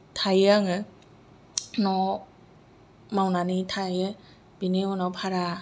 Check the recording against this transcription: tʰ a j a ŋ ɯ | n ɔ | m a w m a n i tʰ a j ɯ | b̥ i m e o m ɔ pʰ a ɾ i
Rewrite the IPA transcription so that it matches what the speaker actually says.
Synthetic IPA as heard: tʰ a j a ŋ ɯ | n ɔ | m a w n a n i tʰ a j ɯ | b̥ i n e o n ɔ pʰ a ɾ a